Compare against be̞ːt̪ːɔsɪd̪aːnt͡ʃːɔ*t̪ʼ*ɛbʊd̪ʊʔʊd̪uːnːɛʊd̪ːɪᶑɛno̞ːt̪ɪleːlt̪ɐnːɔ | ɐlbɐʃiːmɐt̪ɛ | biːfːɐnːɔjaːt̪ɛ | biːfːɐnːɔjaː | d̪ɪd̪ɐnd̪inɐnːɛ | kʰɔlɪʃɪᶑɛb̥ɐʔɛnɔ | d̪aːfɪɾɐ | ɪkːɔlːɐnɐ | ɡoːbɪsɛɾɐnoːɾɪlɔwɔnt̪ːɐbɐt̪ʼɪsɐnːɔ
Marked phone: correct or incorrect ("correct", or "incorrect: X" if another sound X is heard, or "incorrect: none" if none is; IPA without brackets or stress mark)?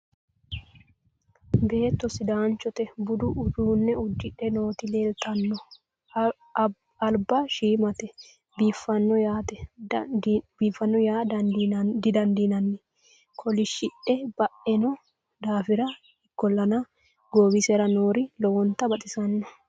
incorrect: t̪